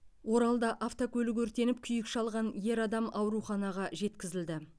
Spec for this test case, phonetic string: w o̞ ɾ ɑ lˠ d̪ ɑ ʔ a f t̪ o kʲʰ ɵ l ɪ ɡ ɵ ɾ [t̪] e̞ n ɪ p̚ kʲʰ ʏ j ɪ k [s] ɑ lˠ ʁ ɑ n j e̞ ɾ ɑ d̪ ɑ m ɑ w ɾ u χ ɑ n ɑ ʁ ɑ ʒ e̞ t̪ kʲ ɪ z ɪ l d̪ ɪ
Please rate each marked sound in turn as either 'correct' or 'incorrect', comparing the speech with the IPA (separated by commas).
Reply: correct, incorrect